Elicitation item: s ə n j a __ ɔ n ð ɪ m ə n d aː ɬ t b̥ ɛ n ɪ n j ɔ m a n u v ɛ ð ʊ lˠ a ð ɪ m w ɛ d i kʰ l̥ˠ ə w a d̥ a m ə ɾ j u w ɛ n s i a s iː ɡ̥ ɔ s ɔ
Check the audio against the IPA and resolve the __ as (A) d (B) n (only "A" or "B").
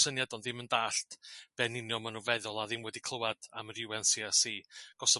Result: A